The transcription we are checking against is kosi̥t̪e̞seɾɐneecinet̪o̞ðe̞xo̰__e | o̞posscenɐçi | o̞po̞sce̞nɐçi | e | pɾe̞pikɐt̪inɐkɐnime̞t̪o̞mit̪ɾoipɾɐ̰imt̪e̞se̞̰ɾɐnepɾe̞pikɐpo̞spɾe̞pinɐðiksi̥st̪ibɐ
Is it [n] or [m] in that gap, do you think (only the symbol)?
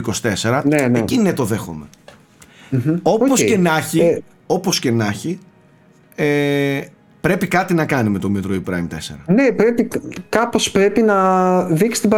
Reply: m